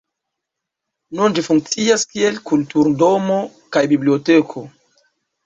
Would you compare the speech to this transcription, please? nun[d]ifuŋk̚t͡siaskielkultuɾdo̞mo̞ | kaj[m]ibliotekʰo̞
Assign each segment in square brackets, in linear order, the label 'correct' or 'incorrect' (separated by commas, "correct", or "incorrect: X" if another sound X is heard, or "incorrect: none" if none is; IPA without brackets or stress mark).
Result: incorrect: d͡ʒ, incorrect: b